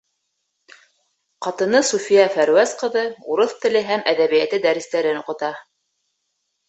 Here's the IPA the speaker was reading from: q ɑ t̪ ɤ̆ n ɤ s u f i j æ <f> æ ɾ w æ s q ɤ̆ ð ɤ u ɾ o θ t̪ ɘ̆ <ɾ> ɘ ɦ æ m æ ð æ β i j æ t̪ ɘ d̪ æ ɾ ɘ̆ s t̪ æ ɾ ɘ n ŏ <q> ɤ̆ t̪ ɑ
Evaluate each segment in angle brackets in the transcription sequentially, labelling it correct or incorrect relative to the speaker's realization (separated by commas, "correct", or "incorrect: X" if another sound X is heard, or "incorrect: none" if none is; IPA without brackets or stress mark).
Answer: correct, incorrect: l, correct